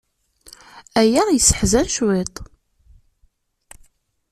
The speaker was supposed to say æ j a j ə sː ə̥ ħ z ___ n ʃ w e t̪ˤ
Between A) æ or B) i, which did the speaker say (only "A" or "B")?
A